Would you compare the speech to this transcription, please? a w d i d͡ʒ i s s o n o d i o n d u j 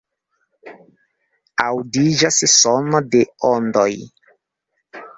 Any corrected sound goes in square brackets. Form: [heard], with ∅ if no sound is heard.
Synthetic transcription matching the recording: a w d i d͡ʒ [a] s s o n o d [e] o n d [o] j